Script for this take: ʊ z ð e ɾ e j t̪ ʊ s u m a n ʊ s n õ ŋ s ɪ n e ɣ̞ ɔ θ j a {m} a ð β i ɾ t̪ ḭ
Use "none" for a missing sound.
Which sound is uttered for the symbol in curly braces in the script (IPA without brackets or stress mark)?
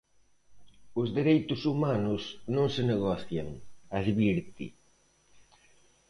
ŋ